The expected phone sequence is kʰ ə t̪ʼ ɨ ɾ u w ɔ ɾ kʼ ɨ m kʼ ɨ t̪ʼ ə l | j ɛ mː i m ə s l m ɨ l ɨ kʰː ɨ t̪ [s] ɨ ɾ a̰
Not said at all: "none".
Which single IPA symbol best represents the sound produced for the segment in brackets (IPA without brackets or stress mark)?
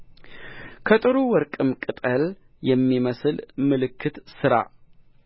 s